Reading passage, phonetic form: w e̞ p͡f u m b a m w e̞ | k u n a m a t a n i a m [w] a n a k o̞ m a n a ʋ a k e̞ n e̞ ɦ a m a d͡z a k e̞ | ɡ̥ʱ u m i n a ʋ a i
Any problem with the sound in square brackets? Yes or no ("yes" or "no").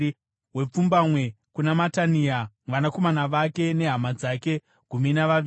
yes